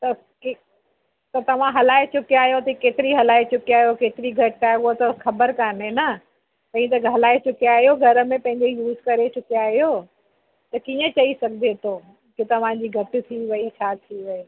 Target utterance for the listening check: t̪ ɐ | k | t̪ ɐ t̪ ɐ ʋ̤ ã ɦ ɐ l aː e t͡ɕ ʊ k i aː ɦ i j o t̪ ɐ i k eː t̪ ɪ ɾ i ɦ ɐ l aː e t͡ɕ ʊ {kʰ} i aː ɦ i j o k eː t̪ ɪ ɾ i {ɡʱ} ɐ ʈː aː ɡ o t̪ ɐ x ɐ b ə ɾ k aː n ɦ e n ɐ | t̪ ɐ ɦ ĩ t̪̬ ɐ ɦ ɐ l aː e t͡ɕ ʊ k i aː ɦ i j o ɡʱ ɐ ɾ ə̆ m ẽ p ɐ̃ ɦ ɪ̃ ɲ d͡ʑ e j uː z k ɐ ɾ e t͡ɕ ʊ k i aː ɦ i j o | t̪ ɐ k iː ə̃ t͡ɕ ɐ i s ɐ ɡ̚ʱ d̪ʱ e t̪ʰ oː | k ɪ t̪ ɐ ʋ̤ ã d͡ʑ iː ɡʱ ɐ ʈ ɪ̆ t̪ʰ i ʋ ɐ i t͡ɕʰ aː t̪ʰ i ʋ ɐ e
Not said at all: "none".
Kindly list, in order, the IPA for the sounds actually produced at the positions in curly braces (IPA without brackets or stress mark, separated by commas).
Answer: k, ɡʱ